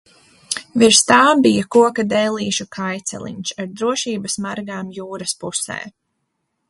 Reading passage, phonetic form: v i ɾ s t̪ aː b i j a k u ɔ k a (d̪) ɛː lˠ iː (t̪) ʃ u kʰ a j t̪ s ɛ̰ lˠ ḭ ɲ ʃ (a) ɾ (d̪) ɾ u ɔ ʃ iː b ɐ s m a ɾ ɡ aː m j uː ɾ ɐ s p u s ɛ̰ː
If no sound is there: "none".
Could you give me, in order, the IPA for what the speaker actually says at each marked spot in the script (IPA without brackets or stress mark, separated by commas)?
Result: d̪, none, a, d̪